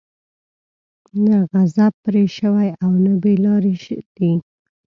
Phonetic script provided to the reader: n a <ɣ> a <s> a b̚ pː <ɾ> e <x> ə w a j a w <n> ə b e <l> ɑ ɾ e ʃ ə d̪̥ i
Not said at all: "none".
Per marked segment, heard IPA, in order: ɣ, z, ɾ, ʃ, n, l

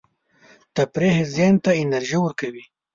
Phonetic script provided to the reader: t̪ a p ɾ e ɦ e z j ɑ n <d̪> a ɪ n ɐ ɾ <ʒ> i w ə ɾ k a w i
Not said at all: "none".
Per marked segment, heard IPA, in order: t̪, ʒ

